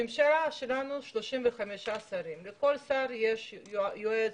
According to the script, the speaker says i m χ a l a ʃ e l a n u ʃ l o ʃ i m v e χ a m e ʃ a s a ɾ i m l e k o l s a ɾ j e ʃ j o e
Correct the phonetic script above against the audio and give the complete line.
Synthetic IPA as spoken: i m ʃ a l a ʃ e l a n u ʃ l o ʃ i m v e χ a m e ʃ a s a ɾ i m l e k o l s a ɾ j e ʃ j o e